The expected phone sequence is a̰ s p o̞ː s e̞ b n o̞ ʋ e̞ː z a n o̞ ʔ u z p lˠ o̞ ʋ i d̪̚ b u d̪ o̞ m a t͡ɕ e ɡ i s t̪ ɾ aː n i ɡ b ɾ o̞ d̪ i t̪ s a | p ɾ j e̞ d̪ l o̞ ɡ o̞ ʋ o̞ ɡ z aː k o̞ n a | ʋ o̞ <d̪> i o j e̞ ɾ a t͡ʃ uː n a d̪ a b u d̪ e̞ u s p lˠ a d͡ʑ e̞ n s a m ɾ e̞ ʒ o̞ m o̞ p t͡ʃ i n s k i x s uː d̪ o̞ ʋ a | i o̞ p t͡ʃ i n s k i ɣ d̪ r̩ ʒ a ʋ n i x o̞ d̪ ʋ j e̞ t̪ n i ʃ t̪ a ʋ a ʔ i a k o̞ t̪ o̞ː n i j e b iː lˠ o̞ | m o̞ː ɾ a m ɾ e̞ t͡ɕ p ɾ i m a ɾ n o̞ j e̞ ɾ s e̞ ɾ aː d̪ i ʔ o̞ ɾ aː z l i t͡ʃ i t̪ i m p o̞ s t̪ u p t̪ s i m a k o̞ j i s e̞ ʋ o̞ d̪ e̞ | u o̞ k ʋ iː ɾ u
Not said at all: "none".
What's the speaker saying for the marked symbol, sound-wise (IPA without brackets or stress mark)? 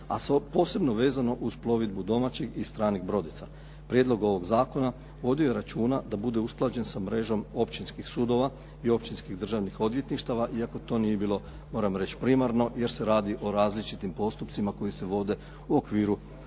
d̪